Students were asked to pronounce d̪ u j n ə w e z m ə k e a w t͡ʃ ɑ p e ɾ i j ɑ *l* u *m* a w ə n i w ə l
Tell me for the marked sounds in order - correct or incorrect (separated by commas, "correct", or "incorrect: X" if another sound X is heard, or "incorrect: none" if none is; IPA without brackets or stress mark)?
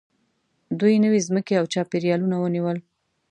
correct, incorrect: n